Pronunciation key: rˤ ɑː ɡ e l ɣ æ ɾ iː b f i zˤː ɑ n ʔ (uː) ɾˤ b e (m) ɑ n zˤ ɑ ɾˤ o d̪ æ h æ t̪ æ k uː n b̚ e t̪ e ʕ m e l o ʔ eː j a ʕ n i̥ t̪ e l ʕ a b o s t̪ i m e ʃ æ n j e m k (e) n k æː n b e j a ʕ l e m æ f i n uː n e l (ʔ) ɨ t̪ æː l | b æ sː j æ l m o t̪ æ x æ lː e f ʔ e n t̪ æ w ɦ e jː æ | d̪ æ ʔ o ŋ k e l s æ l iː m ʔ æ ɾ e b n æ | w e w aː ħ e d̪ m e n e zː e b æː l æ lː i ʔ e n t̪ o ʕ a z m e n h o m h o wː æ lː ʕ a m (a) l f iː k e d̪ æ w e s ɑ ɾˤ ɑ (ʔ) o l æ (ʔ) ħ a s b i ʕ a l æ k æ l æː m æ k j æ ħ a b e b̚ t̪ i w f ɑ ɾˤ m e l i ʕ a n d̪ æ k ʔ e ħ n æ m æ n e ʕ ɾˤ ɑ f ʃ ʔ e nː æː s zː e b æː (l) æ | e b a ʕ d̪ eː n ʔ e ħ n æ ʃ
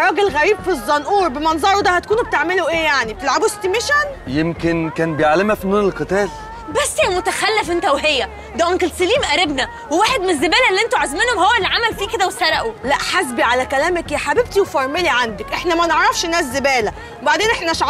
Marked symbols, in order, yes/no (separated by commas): yes, yes, yes, no, no, yes, yes, yes